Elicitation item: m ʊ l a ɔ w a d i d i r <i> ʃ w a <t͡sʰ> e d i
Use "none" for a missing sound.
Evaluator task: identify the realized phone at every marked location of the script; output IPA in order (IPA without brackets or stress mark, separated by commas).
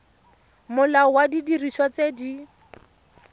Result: i, t͡s